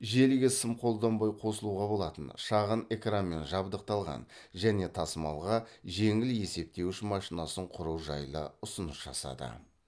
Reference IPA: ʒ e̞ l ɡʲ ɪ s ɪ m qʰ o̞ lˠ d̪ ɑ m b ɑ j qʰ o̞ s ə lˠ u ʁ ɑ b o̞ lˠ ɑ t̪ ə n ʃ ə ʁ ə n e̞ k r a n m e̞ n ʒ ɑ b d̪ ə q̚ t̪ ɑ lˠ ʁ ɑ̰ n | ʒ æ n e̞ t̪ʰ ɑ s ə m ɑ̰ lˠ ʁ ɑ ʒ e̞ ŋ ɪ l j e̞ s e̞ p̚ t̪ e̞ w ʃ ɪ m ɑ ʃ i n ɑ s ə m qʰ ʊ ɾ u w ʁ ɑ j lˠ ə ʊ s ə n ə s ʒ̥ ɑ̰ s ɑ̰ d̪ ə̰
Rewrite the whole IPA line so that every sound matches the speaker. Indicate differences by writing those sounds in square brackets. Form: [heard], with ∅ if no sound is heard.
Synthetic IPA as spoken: ʒ e̞ l ɡʲ ɪ s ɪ m qʰ o̞ lˠ d̪ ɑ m b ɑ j qʰ o̞ s ə lˠ u ʁ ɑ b o̞ lˠ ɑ t̪ ə n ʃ [ɑ] ʁ ə n e̞ k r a n m e̞ n ʒ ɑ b d̪ ə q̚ t̪ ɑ lˠ ʁ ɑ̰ n | ʒ æ n e̞ t̪ʰ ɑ s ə m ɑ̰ lˠ ʁ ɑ ʒ e̞ ŋ ɪ l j e̞ s e̞ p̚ t̪ e̞ w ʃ ɪ m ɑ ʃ i n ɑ s ə [ɴ] qʰ ʊ ɾ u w [ʒ] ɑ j lˠ ə ʊ s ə n ə s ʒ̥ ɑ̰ s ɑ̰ d̪ ə̰